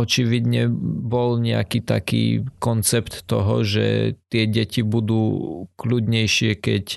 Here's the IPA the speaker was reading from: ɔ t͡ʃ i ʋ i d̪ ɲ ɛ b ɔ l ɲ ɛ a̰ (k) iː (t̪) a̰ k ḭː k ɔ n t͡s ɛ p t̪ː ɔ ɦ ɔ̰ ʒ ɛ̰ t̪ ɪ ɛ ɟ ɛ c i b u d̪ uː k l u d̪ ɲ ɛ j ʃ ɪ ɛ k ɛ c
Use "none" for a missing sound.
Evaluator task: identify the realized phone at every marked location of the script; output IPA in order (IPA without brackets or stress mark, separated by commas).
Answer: k, t̪